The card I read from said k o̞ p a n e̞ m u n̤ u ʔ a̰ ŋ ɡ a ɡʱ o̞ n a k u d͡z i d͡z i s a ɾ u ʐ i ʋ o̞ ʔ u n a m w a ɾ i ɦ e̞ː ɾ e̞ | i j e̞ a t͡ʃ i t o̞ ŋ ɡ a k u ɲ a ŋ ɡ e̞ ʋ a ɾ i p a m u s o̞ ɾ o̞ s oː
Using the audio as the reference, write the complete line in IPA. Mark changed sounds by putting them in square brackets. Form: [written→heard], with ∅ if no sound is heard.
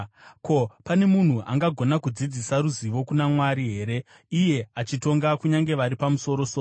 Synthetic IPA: k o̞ p a n e̞ m u n̤ u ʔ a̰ ŋ ɡ a ɡʱ o̞ n a k u d͡z i d͡z i s a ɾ u [ʐ→z] i ʋ o̞ [ʔ→k] u n a m w a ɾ i ɦ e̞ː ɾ e̞ | i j e̞ a t͡ʃ i t o̞ ŋ ɡ a k u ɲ a ŋ ɡ e̞ ʋ a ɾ i p a m u s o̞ ɾ o̞ s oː